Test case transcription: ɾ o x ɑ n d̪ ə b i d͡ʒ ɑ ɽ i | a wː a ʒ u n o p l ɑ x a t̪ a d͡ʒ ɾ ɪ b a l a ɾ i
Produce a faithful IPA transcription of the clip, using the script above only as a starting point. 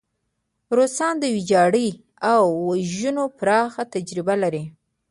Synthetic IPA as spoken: ɾ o s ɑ n d̪ ə w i d͡ʒ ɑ ɽ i | a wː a ʒ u n o p ɾ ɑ x a t̪ a d͡ʒ ɾ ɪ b a l a ɾ i